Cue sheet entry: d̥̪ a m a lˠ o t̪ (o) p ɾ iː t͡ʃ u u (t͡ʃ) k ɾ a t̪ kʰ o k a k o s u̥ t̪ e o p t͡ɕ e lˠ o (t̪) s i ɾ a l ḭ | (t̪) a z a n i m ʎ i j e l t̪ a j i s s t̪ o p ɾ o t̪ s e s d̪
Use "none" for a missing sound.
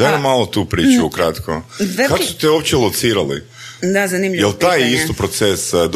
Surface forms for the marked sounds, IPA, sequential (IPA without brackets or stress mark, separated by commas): u, none, t̪, d̪